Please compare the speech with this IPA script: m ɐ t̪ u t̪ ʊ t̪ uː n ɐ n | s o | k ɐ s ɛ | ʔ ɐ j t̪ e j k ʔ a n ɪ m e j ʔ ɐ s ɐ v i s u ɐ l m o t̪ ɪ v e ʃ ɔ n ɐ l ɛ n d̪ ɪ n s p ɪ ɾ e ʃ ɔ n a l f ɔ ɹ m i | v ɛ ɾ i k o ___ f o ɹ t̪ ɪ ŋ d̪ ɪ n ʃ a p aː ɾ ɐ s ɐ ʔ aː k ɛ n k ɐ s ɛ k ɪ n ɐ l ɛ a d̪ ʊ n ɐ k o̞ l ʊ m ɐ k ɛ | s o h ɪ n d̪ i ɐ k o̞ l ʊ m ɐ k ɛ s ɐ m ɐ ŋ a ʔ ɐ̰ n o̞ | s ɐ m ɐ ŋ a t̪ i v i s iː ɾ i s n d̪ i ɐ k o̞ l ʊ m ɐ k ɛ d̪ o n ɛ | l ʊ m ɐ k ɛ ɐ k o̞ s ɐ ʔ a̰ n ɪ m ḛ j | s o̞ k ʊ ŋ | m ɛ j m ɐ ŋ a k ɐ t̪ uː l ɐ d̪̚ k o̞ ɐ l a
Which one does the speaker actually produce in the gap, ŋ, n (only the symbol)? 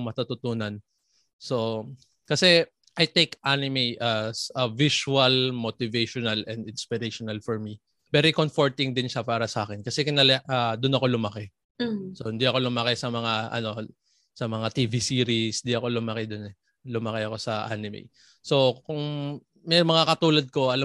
n